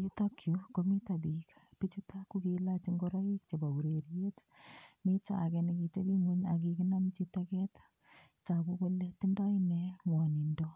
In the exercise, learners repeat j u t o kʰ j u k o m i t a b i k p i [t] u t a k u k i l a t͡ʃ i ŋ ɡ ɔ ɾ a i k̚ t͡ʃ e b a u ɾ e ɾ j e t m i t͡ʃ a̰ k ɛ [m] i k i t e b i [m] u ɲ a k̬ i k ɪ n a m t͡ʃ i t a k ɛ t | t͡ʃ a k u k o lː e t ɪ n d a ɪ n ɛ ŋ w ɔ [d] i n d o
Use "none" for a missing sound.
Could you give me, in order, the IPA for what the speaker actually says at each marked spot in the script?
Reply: t͡ʃ, n, ŋ, n

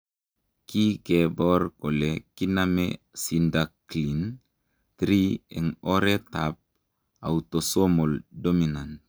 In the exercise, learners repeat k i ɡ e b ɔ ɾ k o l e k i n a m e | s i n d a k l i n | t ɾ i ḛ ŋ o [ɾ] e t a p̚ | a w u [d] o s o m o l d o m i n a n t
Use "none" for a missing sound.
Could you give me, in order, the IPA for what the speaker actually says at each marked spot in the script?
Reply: ɾ, t

